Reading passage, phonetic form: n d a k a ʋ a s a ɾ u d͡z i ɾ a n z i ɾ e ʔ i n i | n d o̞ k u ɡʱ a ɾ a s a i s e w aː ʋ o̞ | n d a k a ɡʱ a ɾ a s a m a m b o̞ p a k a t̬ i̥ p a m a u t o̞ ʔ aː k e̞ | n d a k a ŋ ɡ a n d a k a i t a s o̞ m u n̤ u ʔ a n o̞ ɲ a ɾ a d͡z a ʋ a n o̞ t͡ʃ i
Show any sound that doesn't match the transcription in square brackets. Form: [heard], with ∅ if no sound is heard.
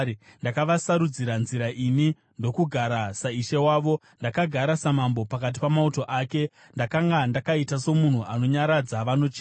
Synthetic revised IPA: n d a k a ʋ a s a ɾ u d͡z i ɾ a n z i ɾ [a] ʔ i n i | n d o̞ k u ɡʱ a ɾ a s a i [ʃ] e w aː ʋ o̞ | n d a k a ɡʱ a ɾ a s a m a m b o̞ p a k a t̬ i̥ p a m a u t o̞ ʔ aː k e̞ | n d a k a ŋ ɡ a n d a k a i t a s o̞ m u n̤ u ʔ a n o̞ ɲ a ɾ a d͡z a ʋ a n o̞ t͡ʃ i